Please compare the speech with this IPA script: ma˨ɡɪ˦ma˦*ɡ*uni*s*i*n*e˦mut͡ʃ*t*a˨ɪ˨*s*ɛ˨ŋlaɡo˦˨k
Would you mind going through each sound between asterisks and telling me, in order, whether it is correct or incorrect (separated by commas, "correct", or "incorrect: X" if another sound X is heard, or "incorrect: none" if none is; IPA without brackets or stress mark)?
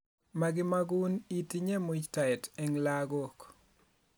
correct, incorrect: t, incorrect: ɲ, correct, incorrect: t